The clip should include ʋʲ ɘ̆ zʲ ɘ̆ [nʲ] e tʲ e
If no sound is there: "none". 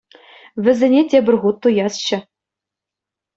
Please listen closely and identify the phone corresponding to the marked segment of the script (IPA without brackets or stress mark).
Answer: nʲ